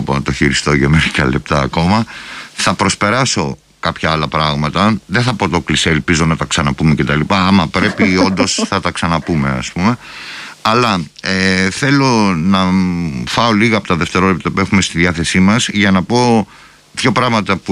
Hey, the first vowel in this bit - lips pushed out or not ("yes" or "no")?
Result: yes